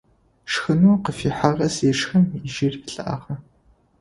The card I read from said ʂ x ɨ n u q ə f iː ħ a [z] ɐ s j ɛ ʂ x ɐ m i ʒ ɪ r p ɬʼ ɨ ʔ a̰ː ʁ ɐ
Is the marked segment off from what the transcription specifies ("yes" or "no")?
yes